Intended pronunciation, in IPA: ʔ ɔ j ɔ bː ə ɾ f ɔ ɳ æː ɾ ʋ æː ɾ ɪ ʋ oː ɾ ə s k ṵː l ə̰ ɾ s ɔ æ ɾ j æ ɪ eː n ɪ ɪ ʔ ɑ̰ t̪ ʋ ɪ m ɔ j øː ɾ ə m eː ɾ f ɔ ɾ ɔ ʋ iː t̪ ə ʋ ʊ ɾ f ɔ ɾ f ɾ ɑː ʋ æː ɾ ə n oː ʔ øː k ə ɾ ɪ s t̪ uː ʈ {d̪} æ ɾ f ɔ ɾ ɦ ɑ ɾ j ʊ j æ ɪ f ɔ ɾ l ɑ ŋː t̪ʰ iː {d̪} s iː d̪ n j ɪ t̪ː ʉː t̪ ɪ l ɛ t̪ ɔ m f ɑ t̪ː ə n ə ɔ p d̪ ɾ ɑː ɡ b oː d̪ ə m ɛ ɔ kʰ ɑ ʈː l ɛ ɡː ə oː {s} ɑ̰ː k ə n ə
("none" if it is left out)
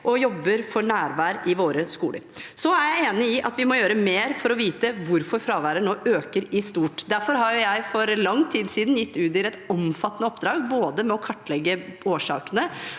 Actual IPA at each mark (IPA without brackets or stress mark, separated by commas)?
d̪, d̪, ʂ